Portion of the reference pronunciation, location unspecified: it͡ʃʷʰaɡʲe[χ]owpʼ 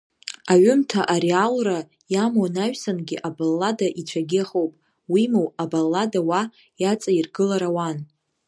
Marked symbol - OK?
yes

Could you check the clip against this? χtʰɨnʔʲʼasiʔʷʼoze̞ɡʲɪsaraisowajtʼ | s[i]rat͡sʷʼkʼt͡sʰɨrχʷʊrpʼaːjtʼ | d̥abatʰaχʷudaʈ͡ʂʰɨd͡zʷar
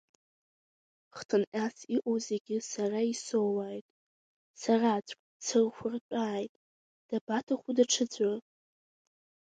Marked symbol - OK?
no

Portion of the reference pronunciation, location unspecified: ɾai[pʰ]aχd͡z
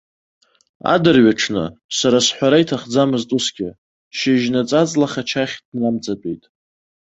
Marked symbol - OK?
no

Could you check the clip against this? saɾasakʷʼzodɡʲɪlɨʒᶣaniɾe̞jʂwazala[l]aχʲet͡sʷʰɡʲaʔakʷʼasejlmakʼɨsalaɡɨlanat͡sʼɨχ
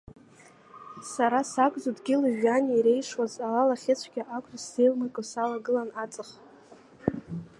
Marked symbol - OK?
yes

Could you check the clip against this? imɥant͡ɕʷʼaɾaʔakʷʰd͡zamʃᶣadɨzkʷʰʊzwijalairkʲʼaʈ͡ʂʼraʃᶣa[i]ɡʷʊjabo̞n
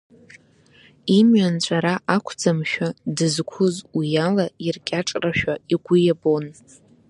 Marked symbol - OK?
yes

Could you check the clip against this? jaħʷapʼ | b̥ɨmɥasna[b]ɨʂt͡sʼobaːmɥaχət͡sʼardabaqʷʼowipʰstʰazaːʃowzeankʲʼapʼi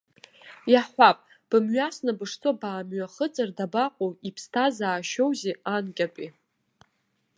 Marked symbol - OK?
yes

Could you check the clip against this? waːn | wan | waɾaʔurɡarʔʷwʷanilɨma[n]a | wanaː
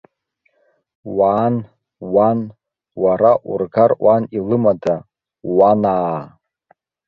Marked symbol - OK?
no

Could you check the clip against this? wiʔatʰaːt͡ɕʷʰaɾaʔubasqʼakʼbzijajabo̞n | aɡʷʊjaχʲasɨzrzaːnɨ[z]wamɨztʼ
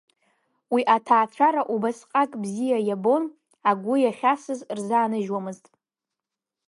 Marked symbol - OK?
no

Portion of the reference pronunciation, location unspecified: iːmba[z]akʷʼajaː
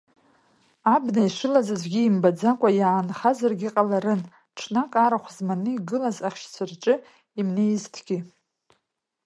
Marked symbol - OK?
no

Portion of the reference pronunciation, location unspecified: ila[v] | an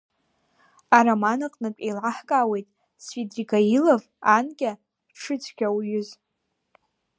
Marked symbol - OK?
yes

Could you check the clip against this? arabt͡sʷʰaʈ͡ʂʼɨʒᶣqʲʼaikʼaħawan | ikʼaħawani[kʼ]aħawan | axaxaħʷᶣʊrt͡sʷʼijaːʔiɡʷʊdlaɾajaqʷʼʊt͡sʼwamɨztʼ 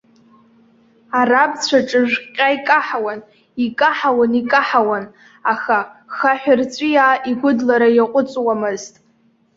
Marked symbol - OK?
yes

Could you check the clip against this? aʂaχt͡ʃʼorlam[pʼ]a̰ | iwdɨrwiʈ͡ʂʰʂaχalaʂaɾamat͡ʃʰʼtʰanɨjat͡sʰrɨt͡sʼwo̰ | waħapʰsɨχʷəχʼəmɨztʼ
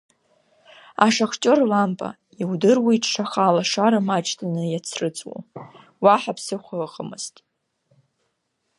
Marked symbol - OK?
yes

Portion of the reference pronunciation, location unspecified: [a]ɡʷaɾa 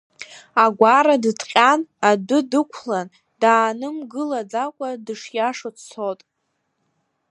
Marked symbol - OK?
yes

